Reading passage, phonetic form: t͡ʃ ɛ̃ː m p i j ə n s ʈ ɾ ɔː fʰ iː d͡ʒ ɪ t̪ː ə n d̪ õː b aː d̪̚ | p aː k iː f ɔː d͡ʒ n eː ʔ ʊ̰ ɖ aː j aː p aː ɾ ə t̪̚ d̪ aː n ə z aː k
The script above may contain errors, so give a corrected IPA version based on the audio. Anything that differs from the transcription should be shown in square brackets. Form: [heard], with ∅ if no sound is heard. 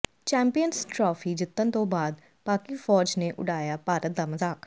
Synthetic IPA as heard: t͡ʃ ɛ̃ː m p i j ə n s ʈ ɾ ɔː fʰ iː d͡ʒ ɪ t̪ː ə n [t̪] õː b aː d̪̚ | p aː k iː f ɔː d͡ʒ n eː ʔ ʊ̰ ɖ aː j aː p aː ɾ ə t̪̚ d̪ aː [m] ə z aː k